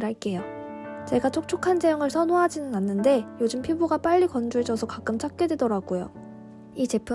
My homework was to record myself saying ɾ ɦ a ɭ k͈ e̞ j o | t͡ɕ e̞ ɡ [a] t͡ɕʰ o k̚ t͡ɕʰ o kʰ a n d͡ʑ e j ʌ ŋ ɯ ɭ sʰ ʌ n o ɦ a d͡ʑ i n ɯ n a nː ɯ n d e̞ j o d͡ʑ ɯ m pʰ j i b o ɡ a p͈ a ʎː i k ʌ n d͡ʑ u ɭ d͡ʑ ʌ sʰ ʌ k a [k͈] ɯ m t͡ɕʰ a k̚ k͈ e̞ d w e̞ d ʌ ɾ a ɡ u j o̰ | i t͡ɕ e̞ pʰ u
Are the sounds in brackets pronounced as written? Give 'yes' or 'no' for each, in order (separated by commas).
yes, yes